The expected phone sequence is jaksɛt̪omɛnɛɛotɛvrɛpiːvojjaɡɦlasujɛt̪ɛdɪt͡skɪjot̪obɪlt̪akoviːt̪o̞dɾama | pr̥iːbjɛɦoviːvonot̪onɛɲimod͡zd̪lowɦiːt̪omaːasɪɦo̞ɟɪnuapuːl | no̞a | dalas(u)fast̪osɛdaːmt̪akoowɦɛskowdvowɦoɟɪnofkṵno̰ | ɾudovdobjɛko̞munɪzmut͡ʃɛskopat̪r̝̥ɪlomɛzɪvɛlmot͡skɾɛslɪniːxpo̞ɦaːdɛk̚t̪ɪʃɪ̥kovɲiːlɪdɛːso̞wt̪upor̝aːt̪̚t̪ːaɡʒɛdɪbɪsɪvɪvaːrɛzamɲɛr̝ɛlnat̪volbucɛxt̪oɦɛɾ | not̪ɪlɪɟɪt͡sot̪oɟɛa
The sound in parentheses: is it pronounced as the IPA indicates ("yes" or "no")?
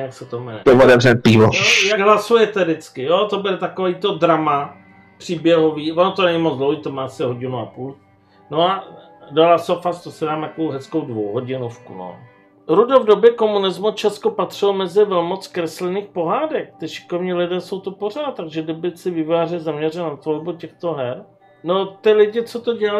no